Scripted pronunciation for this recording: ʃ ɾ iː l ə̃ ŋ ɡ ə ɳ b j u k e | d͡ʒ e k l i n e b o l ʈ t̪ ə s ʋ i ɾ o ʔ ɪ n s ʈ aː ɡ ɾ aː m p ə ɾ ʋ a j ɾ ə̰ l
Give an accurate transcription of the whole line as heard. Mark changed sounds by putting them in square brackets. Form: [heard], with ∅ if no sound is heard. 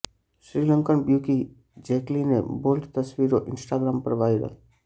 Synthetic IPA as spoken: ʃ ɾ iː l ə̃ ŋ [k] ə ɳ b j u k [i] | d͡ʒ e k l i n e b o l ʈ t̪ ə s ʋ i ɾ o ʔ ɪ n s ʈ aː ɡ ɾ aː m p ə ɾ ʋ a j ɾ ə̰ l